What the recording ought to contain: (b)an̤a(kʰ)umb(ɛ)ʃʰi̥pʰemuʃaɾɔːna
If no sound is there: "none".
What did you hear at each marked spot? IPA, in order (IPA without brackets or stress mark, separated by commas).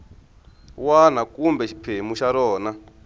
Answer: w, k, ɛ